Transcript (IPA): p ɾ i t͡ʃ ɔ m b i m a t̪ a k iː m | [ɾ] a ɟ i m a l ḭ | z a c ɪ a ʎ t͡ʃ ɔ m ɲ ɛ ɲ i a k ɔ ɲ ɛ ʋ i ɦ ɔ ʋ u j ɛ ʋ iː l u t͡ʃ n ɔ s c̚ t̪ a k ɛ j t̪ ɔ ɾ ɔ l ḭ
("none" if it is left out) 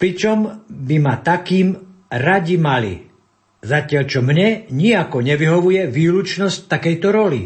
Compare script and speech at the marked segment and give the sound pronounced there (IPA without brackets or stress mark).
ɾ